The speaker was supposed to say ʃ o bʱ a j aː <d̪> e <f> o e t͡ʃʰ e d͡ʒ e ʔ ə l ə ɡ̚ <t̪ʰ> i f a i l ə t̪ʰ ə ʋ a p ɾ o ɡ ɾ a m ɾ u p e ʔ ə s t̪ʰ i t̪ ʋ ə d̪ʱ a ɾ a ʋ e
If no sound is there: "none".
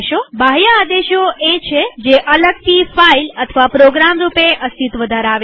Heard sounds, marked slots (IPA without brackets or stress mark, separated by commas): d̪, ʃ, t̪